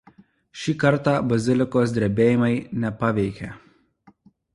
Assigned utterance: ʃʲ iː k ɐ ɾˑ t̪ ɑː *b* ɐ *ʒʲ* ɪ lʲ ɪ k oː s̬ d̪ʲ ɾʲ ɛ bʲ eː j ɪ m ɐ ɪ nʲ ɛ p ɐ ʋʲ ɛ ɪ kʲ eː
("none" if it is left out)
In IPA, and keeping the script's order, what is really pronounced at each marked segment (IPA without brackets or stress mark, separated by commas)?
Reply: b, zʲ